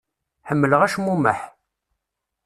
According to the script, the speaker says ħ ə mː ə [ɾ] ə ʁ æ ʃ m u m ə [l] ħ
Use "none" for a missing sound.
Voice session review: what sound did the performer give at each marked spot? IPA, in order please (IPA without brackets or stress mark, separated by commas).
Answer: l, none